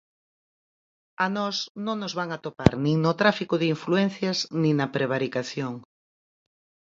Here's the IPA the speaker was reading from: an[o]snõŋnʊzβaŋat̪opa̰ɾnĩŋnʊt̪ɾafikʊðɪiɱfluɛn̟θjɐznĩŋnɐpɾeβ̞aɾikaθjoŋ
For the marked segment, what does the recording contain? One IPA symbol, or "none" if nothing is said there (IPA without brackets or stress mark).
ɔ